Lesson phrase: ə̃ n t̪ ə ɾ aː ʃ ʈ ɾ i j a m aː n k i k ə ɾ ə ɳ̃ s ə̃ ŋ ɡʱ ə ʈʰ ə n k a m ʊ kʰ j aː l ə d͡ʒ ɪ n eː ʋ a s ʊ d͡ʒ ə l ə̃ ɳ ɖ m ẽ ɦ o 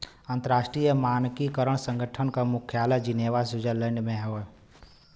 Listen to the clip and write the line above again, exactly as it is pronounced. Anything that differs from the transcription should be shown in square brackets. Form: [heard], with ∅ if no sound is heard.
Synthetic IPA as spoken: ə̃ n t̪ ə ɾ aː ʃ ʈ ɾ i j [ə] m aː n k i k ə ɾ ə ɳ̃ s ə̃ ŋ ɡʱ ə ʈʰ ə n k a m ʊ kʰ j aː l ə d͡ʒ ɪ n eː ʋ a s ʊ d͡ʒ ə l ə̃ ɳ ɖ m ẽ ɦ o